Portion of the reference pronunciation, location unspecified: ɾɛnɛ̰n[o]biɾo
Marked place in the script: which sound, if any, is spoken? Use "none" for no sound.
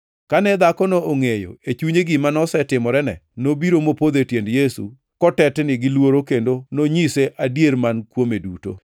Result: o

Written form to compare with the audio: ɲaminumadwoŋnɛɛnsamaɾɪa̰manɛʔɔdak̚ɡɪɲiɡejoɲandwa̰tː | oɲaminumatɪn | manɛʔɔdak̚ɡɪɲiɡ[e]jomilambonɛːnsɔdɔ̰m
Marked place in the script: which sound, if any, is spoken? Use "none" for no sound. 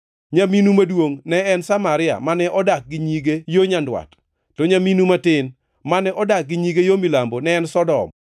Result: e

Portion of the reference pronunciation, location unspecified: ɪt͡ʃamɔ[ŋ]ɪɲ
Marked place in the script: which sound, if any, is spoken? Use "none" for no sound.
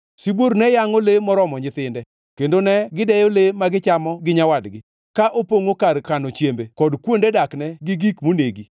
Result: ɡ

